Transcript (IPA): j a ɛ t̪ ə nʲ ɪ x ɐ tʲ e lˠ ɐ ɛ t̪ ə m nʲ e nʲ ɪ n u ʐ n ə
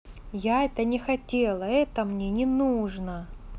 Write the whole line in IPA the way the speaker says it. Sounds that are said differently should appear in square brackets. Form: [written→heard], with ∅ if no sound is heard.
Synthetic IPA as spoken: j a ɛ t̪ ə nʲ ɪ x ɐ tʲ e lˠ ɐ ɛ t̪ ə m nʲ e nʲ ɪ n u ʐ n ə